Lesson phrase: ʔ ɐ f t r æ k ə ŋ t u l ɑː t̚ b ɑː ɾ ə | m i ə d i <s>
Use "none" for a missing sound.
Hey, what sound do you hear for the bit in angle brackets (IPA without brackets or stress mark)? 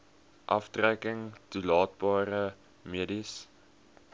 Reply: s